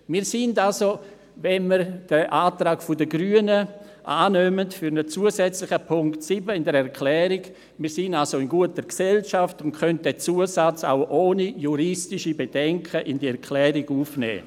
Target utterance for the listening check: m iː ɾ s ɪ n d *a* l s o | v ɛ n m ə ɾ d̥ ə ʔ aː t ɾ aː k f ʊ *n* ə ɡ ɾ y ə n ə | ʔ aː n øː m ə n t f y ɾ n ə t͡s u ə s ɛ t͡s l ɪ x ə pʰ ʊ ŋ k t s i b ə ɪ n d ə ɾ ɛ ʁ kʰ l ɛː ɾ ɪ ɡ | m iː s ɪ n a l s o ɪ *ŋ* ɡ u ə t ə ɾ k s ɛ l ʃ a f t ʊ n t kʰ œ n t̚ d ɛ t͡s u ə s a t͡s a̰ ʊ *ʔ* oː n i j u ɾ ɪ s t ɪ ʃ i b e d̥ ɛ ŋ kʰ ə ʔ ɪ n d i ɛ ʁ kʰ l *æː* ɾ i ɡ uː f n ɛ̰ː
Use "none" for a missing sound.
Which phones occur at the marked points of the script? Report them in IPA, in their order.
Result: a, d, n, ʔ, ɛː

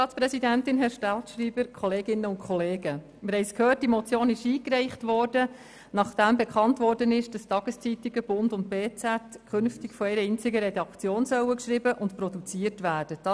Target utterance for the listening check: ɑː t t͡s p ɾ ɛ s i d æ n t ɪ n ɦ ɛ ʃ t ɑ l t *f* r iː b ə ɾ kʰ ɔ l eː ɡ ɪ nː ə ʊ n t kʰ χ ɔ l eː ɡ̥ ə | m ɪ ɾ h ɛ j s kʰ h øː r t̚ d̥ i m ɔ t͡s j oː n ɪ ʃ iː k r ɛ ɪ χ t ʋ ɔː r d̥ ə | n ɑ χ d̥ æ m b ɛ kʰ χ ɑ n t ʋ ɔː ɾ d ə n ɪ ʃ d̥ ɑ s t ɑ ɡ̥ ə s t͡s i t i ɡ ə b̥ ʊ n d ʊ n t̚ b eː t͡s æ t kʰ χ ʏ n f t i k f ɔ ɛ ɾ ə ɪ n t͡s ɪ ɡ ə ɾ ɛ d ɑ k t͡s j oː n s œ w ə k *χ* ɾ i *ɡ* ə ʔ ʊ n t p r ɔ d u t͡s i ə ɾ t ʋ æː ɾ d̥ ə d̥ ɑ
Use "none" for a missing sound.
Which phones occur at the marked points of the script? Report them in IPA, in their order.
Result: ʃ, ʃ, b

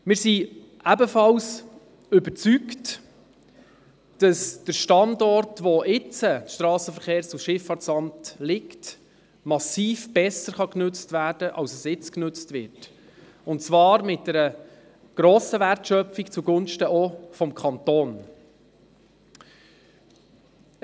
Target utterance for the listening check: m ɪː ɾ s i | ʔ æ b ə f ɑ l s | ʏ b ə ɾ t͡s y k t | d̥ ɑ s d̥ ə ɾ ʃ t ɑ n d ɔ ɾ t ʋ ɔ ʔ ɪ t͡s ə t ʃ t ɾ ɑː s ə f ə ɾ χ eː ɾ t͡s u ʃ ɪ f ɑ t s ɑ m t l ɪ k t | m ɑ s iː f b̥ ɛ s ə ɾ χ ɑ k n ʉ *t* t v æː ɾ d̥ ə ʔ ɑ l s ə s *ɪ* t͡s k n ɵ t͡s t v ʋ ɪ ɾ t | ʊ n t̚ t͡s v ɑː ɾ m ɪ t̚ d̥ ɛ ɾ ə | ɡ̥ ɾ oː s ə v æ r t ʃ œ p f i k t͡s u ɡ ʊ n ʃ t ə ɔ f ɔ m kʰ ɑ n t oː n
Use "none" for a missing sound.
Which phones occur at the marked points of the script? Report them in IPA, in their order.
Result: t͡s, ɪ

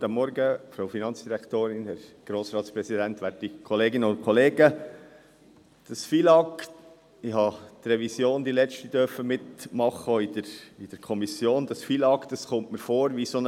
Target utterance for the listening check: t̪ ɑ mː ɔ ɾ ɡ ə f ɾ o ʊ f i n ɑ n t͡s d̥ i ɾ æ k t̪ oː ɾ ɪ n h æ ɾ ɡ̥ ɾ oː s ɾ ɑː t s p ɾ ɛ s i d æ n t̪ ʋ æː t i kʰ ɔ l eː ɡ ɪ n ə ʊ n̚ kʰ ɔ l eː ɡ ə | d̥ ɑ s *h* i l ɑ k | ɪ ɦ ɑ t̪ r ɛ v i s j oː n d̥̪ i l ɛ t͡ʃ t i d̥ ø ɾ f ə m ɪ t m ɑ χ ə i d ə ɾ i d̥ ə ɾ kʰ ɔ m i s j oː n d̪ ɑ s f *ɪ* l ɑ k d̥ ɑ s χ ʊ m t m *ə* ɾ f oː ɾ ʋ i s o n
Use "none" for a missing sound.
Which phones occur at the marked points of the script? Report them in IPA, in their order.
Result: f, i, ə

